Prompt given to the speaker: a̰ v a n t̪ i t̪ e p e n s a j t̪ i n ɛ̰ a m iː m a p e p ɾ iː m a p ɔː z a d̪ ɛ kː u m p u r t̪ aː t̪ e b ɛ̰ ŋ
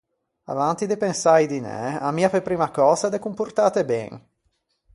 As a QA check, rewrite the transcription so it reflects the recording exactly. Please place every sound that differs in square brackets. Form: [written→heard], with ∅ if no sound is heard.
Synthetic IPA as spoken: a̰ v a n t̪ i [t̪→d̪] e p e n s a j [t̪→d̪] i n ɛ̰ a m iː [m→∅] a p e p ɾ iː m a [p→k] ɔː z a d̪ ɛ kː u m p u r t̪ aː t̪ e b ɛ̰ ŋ